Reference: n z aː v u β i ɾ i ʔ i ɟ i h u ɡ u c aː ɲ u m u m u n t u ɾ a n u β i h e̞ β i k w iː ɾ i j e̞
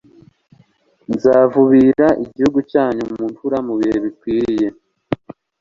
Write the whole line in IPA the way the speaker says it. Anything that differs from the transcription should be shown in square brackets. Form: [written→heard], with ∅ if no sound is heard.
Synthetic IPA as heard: n z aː v u β i ɾ [i→a] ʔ i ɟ i h u ɡ u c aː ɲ u m u m u n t u ɾ a [n→m] u β i h e̞ β i k w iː ɾ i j e̞